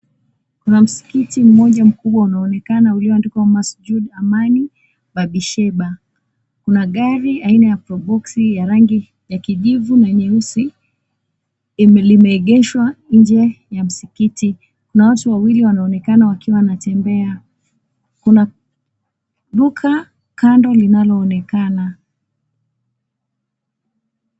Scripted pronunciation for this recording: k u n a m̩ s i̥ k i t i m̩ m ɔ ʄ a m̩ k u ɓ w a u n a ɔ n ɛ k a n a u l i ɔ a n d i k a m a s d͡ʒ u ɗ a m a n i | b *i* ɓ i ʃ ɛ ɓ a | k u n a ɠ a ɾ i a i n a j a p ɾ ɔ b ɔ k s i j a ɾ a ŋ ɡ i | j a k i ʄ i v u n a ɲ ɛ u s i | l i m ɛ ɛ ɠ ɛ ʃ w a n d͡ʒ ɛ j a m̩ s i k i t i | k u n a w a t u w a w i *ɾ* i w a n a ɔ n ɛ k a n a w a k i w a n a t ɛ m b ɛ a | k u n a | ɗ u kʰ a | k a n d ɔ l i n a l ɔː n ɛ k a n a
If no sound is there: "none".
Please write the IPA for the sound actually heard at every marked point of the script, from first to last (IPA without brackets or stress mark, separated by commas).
a, l